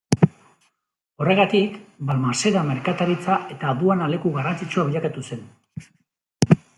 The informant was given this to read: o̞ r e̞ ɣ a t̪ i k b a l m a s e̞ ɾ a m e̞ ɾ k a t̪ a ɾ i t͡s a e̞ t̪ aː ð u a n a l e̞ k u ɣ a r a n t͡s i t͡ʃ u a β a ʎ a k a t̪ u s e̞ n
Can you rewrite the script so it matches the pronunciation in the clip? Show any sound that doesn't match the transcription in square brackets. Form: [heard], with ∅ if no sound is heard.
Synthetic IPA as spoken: o̞ r e̞ ɣ a t̪ i k b a l m a s e̞ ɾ a m e̞ ɾ k a t̪ a ɾ i t͡s a e̞ t̪ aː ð u a n a l e̞ k u ɣ a r a n t͡s i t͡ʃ u a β [i] ʎ a k a t̪ u s e̞ n

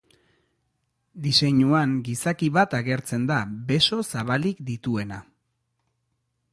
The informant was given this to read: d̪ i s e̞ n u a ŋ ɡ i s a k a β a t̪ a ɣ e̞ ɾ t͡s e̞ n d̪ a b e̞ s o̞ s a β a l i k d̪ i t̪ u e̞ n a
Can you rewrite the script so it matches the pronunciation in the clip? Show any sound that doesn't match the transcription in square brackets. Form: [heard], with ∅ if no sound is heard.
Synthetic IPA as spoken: d̪ i s e̞ [ɲ] u a ŋ ɡ i s a k [i] β a t̪ a ɣ e̞ ɾ t͡s e̞ n d̪ a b e̞ s o̞ s a β a l i k d̪ i t̪ u e̞ n a

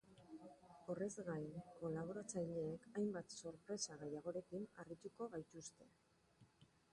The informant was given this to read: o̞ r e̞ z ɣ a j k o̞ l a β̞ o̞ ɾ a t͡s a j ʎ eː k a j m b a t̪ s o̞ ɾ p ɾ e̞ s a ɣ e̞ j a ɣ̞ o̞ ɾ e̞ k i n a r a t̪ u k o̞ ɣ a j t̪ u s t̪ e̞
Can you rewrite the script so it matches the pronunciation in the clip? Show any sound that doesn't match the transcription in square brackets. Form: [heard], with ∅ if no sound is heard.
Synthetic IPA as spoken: o̞ r e̞ z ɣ a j k o̞ l a β̞ o̞ ɾ a t͡s a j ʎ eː k a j m b a t̪ s o̞ ɾ p ɾ e̞ s a ɣ e̞ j a ɣ̞ o̞ ɾ e̞ k i n a r [i] t̪ u k o̞ ɣ a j t̪ u s t̪ e̞

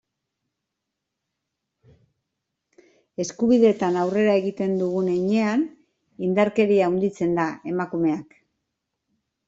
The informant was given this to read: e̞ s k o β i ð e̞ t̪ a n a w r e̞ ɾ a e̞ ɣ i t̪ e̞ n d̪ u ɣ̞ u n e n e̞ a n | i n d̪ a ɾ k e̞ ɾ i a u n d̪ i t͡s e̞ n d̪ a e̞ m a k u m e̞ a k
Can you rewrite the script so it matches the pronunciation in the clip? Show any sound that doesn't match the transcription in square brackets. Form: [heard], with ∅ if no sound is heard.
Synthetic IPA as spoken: e̞ s k [u] β i ð e̞ t̪ a n a w r e̞ ɾ a e̞ ɣ i t̪ e̞ n d̪ u ɣ̞ u n e [ɲ] e̞ a n | i n d̪ a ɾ k e̞ ɾ i a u n d̪ i t͡s e̞ n d̪ a e̞ m a k u m e̞ a k

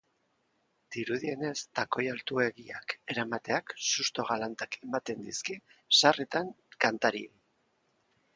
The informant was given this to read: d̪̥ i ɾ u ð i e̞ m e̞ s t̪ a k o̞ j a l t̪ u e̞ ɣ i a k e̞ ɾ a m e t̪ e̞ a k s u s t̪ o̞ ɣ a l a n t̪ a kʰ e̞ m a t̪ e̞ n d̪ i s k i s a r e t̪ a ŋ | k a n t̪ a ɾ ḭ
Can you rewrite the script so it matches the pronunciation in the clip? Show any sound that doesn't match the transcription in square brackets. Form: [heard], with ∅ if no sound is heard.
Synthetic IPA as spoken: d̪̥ i ɾ u ð i e̞ [n] e̞ s t̪ a k o̞ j a l t̪ u e̞ ɣ i a k e̞ ɾ a m [a] t̪ e̞ a k s u s t̪ o̞ ɣ a l a n t̪ a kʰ e̞ m a t̪ e̞ n d̪ i s k i s a r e t̪ a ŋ | k a n t̪ a ɾ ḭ

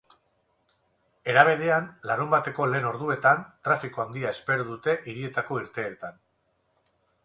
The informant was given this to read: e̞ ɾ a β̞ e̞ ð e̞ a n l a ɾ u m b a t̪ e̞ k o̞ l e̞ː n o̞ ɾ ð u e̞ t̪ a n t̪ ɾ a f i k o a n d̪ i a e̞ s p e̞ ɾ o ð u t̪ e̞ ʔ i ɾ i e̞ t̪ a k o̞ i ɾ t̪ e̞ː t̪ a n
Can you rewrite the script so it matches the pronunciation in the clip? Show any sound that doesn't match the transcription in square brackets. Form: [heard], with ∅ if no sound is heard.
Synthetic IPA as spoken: e̞ ɾ a β̞ e̞ ð e̞ a n l a ɾ u m b a t̪ e̞ k o̞ l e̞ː n o̞ ɾ ð u e̞ t̪ a n t̪ ɾ a f i k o a n d̪ i a e̞ s p e̞ ɾ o ð u t̪ e̞ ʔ i ɾ i e̞ t̪ a k o̞ i ɾ t̪ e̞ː t̪ a n

